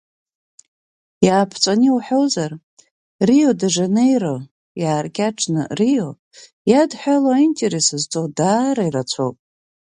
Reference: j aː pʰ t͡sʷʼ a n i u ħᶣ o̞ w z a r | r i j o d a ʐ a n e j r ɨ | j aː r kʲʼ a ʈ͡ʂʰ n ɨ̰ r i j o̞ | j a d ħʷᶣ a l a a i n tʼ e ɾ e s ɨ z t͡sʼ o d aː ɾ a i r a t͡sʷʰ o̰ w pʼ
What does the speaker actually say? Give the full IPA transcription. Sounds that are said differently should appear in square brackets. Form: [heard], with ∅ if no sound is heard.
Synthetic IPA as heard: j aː pʰ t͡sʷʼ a n i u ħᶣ o̞ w z a r | r i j o d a ʐ a n e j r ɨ | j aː r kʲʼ a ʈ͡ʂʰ n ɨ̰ r i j o̞ | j a d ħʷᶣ a l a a i n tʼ e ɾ e s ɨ z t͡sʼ o d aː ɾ a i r a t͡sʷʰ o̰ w pʼ